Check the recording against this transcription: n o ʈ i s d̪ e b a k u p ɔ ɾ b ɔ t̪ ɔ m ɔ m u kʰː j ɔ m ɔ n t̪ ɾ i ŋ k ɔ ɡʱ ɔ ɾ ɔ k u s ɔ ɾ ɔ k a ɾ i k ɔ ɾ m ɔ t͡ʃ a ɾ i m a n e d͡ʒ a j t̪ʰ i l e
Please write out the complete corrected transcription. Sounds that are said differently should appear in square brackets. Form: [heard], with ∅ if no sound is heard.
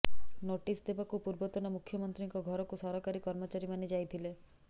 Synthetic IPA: n o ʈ i s d̪ e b a k u p [u] ɾ b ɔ t̪ ɔ [n] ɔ m u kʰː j ɔ m ɔ n t̪ ɾ i ŋ k ɔ ɡʱ ɔ ɾ ɔ k u s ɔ ɾ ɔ k a ɾ i k ɔ ɾ m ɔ t͡ʃ a ɾ i m a n e d͡ʒ a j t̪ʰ i l e